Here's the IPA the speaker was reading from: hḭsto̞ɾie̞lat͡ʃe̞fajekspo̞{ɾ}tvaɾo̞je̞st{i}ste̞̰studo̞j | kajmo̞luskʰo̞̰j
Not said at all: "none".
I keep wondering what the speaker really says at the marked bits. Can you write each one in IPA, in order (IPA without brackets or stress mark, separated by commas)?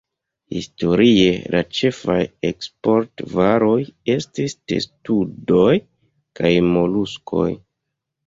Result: ɾ, i